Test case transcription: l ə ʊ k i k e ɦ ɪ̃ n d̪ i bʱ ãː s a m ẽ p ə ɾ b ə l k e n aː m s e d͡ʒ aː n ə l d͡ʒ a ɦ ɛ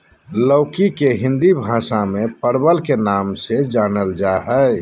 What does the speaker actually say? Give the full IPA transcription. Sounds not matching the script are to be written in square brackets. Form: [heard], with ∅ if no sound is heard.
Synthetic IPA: l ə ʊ k i k e ɦ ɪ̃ n d̪ i bʱ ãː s a m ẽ p ə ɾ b ə l k e n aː m s e d͡ʒ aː n ə l d͡ʒ a ɦ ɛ